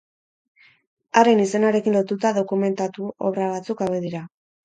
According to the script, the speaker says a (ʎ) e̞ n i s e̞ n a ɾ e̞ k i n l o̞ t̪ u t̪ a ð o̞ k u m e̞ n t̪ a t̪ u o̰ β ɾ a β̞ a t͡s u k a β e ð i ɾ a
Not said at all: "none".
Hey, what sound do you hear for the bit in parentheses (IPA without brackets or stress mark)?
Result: ɾ